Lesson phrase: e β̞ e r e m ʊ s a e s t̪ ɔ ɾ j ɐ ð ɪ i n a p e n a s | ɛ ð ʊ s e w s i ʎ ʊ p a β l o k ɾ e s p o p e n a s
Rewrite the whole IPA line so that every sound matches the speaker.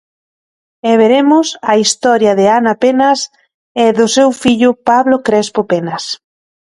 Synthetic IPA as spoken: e β̞ e ɾ e m ʊ s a i s t̪ ɔ ɾ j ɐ ð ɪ a n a p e n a s | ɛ ð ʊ s e w f i ʎ ʊ p a β l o k ɾ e s p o p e n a s

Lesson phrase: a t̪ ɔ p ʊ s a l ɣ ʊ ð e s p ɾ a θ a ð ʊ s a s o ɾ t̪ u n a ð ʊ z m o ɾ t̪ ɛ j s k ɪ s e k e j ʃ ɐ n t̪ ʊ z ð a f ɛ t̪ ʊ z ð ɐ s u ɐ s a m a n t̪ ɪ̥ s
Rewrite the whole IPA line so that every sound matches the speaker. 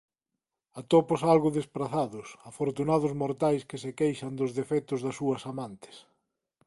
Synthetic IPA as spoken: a t̪ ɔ p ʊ s a l ɣ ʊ ð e s p ɾ a θ a ð ʊ s a f o ɾ t̪ u n a ð ʊ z m o ɾ t̪ a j s k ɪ s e k e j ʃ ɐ n d̪ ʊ z ð e f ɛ t̪ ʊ z ð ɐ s u ɐ s a m a n t̪ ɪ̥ s

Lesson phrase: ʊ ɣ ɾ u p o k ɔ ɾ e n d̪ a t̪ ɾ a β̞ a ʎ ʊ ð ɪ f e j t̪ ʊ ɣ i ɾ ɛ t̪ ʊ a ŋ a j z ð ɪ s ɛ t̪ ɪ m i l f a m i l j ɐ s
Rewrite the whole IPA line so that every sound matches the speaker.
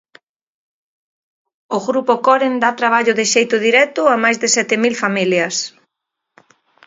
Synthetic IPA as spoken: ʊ ɣ ɾ u p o k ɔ ɾ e n d̪ a t̪ ɾ a β̞ a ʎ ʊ ð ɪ ʃ e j t̪ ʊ ð i ɾ ɛ t̪ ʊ a m a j z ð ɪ s ɛ t̪ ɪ m i l f a m i l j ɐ s

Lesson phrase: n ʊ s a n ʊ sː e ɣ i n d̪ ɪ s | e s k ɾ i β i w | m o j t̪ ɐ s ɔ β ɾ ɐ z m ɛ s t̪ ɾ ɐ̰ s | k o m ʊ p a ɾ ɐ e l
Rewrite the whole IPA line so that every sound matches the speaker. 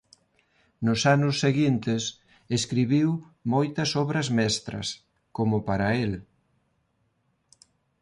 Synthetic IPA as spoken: n ʊ s a n ʊ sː e ɣ i n t̪ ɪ s | e s k ɾ i β i w | m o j t̪ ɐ s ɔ β ɾ ɐ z m ɛ s t̪ ɾ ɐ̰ s | k o m ʊ p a ɾ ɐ e l

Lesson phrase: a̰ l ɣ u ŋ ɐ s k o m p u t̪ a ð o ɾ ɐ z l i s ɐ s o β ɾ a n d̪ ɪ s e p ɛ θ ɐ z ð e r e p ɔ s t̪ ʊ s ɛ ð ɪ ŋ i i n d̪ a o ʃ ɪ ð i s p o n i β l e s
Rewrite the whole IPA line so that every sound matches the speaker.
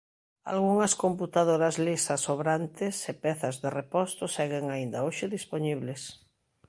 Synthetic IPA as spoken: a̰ l ɣ u ŋ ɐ s k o m p u t̪ a ð o ɾ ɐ z l i s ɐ s o β ɾ a n t̪ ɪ s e p ɛ θ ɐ z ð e r e p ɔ s t̪ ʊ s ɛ ɣ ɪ ŋ a i n d̪ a o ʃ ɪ ð i s p o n i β l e s

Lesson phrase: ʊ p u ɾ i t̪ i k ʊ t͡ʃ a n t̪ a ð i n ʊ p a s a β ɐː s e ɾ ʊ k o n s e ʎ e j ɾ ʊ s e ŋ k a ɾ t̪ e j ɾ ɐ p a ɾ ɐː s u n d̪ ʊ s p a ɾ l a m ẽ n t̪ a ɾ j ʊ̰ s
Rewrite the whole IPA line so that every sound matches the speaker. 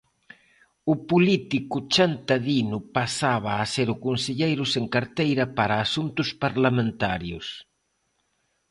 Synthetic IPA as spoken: ʊ p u l i t̪ i k ʊ t͡ʃ a n t̪ a ð i n ʊ p a s a β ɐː s e ɾ ʊ k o n s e ʎ e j ɾ ʊ s e ŋ k a ɾ t̪ e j ɾ ɐ p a ɾ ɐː s u n t̪ ʊ s p a ɾ l a m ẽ n t̪ a ɾ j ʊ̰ s

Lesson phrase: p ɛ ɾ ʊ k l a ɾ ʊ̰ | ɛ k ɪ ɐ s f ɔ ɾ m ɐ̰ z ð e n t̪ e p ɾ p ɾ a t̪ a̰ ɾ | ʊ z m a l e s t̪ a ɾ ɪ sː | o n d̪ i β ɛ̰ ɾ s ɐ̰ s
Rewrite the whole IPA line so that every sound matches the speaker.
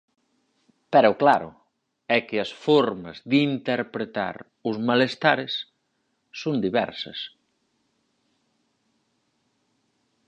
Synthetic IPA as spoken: p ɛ ɾ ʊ k l a ɾ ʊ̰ | ɛ k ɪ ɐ s f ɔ ɾ m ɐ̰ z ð i n t̪ e ɾ p ɾ e t̪ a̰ ɾ | ʊ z m a l e s t̪ a ɾ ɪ sː | o n d̪ i β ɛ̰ ɾ s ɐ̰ s

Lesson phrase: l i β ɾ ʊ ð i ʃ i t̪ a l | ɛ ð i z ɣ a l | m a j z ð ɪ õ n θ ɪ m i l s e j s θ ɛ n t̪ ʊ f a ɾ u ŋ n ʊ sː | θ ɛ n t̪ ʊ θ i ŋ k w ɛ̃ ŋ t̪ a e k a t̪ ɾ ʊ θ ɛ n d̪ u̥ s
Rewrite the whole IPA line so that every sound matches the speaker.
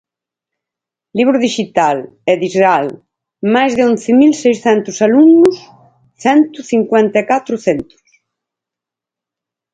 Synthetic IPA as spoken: l i β ɾ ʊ ð i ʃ i t̪ a l | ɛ ð i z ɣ a l | m a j z ð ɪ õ n θ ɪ m i l s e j s θ ɛ n t̪ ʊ s a l u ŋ n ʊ s | θ ɛ n t̪ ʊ θ i ŋ k w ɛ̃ n t̪ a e k a t̪ ɾ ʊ θ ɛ n t̪ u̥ s

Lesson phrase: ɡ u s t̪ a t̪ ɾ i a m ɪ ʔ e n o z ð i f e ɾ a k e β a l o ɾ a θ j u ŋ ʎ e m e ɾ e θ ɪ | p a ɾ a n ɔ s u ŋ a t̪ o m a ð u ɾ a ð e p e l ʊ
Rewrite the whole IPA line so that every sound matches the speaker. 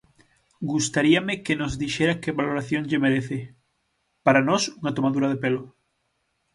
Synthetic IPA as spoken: ɡ u s t̪ a ɾ i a m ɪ k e n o z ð i ʃ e ɾ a k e β a l o ɾ a θ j o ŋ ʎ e m e ɾ e θ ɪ | p a ɾ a n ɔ s u ŋ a t̪ o m a ð u ɾ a ð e p e l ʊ

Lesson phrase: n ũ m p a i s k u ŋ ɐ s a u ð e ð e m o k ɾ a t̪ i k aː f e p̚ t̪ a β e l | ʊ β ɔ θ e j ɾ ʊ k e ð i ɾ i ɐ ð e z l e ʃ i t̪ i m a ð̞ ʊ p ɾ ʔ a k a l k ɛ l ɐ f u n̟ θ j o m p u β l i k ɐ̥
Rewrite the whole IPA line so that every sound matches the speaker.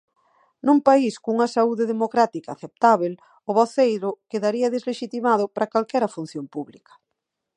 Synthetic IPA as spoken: n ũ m p a i s k u ŋ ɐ s a u ð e ð e m o k ɾ a t̪ i k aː θ e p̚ t̪ a β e l | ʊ β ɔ θ e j ɾ ʊ k e ð a ɾ i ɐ ð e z l e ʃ i t̪ i m a ð̞ ʊ p ɾ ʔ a k a l k ɛ ɾ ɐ f u n̟ θ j o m p u β l i k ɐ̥

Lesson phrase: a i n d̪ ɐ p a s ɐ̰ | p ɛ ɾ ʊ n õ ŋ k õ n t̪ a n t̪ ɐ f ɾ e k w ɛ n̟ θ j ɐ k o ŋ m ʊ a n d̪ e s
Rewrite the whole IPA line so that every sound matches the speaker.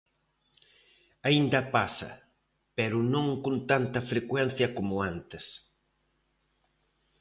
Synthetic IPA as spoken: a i n d̪ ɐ p a s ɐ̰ | p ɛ ɾ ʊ n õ ŋ k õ n t̪ a n t̪ ɐ f ɾ e k w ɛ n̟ θ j ɐ k o m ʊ a n t̪ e s

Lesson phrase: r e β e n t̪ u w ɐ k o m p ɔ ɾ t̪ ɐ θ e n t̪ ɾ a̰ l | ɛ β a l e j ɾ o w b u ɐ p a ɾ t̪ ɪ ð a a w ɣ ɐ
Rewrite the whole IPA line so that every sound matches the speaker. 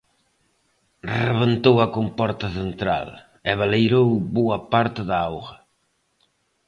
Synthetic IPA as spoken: r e β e n t̪ o w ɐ k o m p ɔ ɾ t̪ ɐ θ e n t̪ ɾ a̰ l | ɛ β a l e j ɾ o w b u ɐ p a ɾ t̪ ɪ ð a a w ɣ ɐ

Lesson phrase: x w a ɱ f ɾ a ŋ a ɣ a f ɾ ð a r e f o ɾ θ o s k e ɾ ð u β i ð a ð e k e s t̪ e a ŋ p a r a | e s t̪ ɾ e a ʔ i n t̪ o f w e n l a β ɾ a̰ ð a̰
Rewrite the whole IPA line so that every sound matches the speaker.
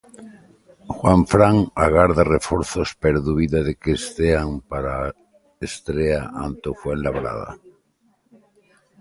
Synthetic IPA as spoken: x w a ɱ f ɾ a ŋ a ɣ a ɾ ð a r e f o ɾ θ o s p e ɾ ð u β i ð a ð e k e s t̪ e a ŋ p a ɾ a | e s t̪ ɾ e a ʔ a n t̪ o f w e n l a β ɾ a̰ ð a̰

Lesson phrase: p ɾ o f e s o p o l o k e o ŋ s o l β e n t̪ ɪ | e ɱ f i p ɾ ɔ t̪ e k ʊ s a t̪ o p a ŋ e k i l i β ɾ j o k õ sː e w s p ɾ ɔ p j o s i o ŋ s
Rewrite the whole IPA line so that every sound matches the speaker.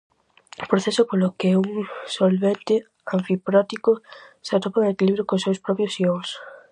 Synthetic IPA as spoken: p ɾ o θ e s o p o l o k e u ŋ s o l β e n t̪ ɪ | a ɱ f i p ɾ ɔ t̪ i k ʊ s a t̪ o p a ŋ e k i l i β ɾ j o k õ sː e w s p ɾ ɔ p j o s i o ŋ s

